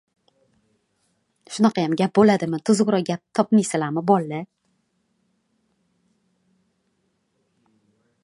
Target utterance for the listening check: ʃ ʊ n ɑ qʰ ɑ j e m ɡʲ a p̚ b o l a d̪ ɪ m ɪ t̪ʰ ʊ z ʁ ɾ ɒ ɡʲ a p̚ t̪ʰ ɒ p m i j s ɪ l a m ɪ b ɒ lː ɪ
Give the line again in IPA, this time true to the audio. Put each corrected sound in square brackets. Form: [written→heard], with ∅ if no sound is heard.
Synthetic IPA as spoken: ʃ ʊ n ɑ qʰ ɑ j [e→a] m ɡʲ a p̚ b o l a d̪ ɪ m ɪ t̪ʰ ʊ z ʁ ɾ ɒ ɡʲ a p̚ t̪ʰ ɒ p m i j s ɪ l a m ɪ b ɒ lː ɪ

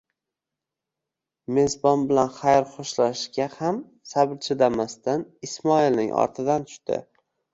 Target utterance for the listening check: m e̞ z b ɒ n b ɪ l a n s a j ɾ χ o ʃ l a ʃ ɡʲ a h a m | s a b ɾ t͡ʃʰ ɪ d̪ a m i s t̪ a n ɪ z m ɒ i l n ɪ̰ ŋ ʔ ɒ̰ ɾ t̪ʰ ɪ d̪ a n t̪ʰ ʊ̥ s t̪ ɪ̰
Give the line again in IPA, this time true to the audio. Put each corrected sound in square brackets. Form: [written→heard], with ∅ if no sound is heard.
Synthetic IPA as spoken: m e̞ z b ɒ n b ɪ l a n [s→χ] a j ɾ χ o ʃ l a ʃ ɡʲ a h a m | s a b ɾ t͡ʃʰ ɪ d̪ a m [i→a] s t̪ a n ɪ [z→s] m ɒ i l n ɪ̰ ŋ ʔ ɒ̰ ɾ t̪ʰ ɪ d̪ a n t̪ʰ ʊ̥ [s→ʃ] t̪ ɪ̰

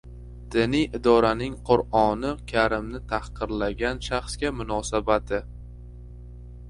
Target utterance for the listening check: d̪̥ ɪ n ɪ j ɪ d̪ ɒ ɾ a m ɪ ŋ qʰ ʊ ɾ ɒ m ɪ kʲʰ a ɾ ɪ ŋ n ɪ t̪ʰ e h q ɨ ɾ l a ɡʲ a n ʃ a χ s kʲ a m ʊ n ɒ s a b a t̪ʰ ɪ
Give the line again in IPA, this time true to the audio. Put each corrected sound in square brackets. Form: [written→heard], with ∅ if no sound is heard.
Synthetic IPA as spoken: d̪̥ ɪ n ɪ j ɪ d̪ ɒ ɾ a [m→n] ɪ ŋ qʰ ʊ ɾ ɒ [m→n] ɪ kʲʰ a ɾ ɪ [ŋ→m] n ɪ t̪ʰ [e→a] h q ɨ ɾ l a ɡʲ a n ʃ a χ s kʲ a m ʊ n ɒ s a b a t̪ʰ ɪ

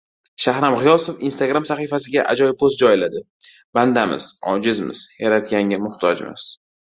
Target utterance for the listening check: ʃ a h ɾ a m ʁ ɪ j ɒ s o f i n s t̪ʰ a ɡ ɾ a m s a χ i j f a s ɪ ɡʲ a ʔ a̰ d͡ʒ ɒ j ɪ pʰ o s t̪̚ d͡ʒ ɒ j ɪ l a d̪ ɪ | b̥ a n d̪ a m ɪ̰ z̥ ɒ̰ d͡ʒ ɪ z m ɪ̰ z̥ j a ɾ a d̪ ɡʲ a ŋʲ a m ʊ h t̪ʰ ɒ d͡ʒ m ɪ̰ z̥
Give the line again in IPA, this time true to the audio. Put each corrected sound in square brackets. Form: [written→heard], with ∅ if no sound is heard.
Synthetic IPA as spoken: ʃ a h ɾ a m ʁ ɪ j ɒ s o f i n s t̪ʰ a ɡ ɾ a m s a χ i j f a s ɪ ɡʲ a ʔ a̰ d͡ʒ ɒ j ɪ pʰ o s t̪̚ d͡ʒ ɒ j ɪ l a d̪ ɪ | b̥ a n d̪ a m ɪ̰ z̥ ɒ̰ d͡ʒ ɪ z m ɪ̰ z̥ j a ɾ a [d̪→t̪] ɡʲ a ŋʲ a m ʊ h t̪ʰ ɒ d͡ʒ m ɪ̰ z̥

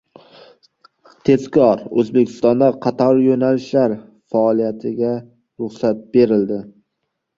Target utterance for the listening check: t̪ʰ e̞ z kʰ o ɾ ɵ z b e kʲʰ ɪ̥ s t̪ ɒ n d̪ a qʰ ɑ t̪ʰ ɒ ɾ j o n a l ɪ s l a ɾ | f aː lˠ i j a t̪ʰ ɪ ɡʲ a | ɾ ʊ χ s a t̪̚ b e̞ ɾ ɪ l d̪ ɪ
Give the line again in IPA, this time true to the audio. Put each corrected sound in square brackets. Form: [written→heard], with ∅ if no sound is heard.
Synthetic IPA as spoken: t̪ʰ e̞ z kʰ [o→ɒ] ɾ ɵ z b e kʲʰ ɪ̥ s t̪ ɒ n d̪ a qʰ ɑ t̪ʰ ɒ ɾ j o n a l ɪ [s→ʃ] l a ɾ | f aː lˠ i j a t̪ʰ ɪ ɡʲ a | ɾ ʊ χ s a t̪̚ b e̞ ɾ ɪ l d̪ ɪ

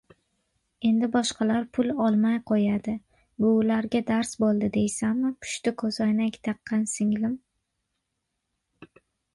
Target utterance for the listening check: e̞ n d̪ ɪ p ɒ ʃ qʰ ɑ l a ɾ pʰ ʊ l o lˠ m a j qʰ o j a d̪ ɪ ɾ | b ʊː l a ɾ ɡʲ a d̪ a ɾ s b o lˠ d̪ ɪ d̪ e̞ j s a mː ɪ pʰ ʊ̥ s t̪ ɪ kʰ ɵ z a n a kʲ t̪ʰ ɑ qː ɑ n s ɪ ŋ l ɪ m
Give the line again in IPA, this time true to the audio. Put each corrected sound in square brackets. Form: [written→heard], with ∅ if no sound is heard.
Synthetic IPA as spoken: e̞ n d̪ ɪ [p→b] ɒ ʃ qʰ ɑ l a ɾ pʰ ʊ l [o→ɒ] lˠ m a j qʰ o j a d̪ ɪ [ɾ→∅] | b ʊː l a ɾ ɡʲ a d̪ a ɾ s b o lˠ d̪ ɪ d̪ e̞ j s a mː ɪ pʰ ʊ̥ [s→ʃ] t̪ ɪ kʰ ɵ z a n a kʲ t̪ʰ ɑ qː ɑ n s ɪ ŋ l ɪ m

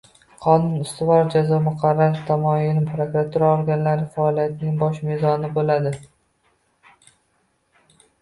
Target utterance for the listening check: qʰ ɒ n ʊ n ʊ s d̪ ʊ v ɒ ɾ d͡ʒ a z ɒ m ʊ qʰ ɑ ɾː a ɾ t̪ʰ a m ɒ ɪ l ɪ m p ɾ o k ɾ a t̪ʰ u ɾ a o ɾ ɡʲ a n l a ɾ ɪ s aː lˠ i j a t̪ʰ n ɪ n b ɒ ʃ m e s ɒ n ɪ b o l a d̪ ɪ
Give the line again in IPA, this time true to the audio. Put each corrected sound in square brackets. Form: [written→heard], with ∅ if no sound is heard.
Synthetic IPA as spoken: qʰ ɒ n ʊ n ʊ s [d̪→t̪] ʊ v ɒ ɾ d͡ʒ a z ɒ m ʊ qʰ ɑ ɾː a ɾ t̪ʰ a m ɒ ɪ l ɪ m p ɾ o k ɾ a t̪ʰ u ɾ a o ɾ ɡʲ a n l a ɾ ɪ [s→f] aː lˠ i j a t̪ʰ n ɪ [n→ŋ] b ɒ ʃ m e [s→z] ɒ n ɪ b o l a d̪ ɪ

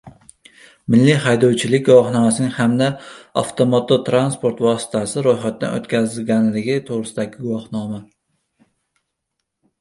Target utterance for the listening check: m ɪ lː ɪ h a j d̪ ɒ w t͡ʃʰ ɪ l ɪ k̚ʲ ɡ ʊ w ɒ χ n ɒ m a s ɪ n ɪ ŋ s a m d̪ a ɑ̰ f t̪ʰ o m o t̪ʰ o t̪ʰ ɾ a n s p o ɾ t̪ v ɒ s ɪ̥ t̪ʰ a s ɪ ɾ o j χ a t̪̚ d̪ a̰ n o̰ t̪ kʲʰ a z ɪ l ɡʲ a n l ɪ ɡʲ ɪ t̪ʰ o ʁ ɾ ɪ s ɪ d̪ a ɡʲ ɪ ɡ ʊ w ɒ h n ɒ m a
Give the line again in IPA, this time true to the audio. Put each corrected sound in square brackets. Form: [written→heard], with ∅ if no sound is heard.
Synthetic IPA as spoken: m ɪ lː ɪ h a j d̪ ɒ w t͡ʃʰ ɪ l ɪ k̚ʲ ɡ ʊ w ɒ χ n ɒ m a s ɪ n ɪ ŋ [s→h] a m d̪ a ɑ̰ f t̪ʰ o m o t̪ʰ o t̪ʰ ɾ a n s p o ɾ t̪ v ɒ s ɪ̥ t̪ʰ a s ɪ ɾ o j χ a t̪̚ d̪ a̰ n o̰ t̪ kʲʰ a z ɪ l ɡʲ a n l ɪ ɡʲ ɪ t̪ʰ o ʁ ɾ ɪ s ɪ d̪ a ɡʲ ɪ ɡ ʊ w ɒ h n ɒ m a

